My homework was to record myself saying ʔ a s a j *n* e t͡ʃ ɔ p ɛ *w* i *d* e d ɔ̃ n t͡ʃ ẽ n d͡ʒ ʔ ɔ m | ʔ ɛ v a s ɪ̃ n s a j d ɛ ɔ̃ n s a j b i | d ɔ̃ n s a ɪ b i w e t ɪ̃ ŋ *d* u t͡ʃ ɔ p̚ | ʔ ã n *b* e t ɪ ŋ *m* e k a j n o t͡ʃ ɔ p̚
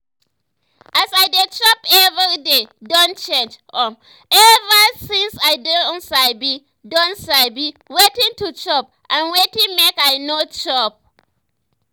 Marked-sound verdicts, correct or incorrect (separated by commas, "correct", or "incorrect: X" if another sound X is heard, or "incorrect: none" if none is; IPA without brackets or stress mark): incorrect: d, incorrect: v, correct, incorrect: t, incorrect: w, correct